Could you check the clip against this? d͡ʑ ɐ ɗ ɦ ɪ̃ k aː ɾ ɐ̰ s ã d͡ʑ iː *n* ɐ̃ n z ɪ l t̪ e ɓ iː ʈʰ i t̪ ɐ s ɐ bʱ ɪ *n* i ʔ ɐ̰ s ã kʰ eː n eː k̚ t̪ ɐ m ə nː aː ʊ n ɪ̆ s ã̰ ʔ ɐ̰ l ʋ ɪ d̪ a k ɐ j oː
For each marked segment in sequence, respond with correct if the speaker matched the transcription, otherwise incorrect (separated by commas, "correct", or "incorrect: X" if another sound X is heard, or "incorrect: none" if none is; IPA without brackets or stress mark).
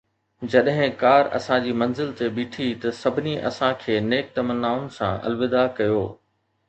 incorrect: m, correct